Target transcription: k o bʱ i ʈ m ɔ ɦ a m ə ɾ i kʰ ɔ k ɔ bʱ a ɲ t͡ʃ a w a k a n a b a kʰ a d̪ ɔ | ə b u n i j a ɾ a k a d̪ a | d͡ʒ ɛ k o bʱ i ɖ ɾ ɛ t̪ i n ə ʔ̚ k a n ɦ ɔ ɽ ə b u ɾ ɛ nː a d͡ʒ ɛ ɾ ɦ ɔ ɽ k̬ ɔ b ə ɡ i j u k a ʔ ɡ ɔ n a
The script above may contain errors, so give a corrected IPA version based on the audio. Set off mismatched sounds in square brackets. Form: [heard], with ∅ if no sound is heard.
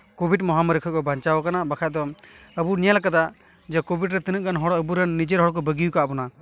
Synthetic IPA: k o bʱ i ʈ m ɔ ɦ a m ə ɾ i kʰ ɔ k ɔ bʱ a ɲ t͡ʃ a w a k a n a b a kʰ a d̪ ɔ | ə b u n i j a [l] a k a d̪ a | d͡ʒ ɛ k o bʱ i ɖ ɾ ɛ t̪ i n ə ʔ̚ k a n ɦ ɔ ɽ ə b u ɾ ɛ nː [i] d͡ʒ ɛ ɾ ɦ ɔ ɽ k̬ ɔ b ə ɡ i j u k a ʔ [b] ɔ n a